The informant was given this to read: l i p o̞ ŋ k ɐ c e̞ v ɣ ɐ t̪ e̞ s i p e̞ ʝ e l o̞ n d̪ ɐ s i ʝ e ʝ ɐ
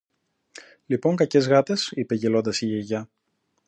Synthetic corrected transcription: l i p o̞ ŋ k ɐ c e̞ z ɣ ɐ t̪ e̞ s i p e̞ ʝ e l o̞ n d̪ ɐ s i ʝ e ʝ ɐ

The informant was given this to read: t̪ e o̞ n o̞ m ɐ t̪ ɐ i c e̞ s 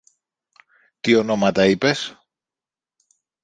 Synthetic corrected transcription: t̪ i o̞ n o̞ m ɐ t̪ ɐ i p e̞ s

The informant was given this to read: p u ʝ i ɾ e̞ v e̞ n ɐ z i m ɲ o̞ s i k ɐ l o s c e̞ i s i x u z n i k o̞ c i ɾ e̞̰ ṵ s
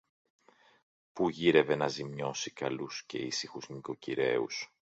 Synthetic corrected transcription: p u ʝ i ɾ e̞ v e̞ n ɐ z i m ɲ o̞ s i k ɐ l u s c e̞ i s i x u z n i k o̞ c i ɾ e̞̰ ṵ s

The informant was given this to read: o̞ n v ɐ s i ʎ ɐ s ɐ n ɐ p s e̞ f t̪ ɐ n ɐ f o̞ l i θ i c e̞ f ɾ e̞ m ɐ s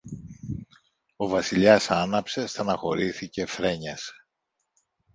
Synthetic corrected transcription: o̞ v ɐ s i ʎ ɐ s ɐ n ɐ p s e̞ s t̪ ɐ n ɐ x o̞ ɾ i θ i c e̞ f ɾ e̞ ɲ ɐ s

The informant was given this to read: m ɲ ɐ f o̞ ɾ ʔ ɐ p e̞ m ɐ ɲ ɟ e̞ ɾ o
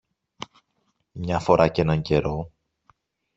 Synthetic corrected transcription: m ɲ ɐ f o̞ ɾ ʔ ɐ c e̞ n ɐ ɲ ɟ e̞ ɾ o

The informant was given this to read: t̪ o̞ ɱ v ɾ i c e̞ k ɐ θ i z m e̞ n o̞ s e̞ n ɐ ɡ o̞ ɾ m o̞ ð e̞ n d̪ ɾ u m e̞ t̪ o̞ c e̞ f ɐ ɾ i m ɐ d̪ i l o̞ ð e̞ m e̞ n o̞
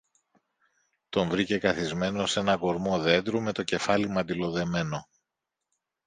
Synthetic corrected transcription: t̪ o̞ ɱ v ɾ i c e̞ k ɐ θ i z m e̞ n o̞ s e̞ n ɐ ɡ o̞ ɾ m o̞ ð e̞ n d̪ ɾ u m e̞ t̪ o̞ c e̞ f ɐ l i m ɐ d̪ i l o̞ ð e̞ m e̞ n o̞

